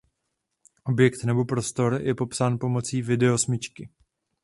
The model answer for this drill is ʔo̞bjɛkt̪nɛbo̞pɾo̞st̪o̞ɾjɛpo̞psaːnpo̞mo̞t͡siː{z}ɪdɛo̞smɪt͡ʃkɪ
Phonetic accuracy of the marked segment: incorrect: v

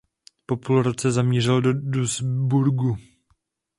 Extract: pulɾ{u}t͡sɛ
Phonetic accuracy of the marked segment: incorrect: o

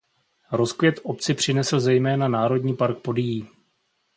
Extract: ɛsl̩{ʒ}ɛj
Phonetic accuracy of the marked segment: incorrect: z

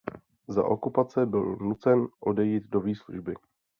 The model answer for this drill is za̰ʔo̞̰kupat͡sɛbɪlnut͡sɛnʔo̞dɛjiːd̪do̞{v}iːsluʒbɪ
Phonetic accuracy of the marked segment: correct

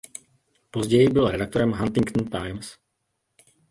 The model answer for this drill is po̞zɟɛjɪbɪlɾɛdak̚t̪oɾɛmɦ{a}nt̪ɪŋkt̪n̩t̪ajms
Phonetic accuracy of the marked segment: correct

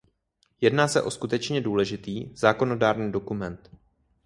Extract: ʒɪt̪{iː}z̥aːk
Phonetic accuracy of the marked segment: correct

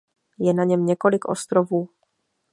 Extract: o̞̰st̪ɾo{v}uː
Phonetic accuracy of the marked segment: correct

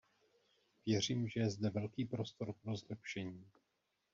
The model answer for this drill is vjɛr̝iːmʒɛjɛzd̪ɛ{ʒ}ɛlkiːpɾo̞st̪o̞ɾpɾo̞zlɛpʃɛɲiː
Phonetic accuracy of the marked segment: incorrect: v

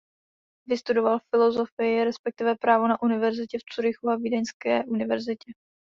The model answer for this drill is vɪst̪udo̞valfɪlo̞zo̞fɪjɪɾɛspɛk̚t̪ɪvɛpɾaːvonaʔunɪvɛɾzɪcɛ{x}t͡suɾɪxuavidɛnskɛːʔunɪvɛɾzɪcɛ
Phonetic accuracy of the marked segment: incorrect: f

